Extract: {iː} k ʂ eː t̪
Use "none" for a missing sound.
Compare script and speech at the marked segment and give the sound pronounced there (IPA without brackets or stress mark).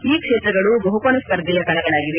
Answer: iː